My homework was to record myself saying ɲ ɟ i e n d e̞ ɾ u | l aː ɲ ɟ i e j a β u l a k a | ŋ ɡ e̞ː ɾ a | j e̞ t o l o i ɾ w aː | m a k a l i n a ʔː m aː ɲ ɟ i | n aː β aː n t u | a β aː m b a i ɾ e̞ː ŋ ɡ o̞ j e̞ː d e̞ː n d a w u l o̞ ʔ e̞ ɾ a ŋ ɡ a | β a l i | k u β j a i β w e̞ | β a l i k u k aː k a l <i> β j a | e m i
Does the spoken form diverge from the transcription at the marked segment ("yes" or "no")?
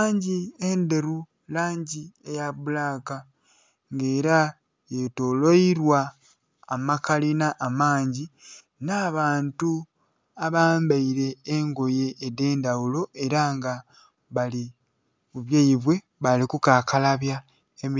yes